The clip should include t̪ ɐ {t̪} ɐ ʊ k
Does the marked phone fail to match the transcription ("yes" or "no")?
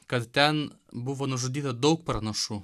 yes